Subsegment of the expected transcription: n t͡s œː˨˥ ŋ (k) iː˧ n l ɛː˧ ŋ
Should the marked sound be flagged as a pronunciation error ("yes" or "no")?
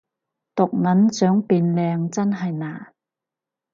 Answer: yes